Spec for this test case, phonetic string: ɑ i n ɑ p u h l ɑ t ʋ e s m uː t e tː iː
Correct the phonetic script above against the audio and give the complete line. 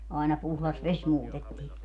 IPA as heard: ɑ i n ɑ p u h l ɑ s ʋ e s m uː t e tː iː